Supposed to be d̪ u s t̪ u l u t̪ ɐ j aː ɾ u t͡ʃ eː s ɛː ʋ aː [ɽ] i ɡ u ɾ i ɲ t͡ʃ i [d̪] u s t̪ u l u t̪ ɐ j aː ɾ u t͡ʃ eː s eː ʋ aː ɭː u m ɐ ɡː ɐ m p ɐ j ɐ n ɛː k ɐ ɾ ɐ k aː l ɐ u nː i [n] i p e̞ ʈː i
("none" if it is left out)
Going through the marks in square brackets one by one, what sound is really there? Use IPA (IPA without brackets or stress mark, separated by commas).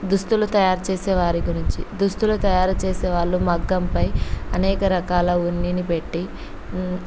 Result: ɾ, d̪, n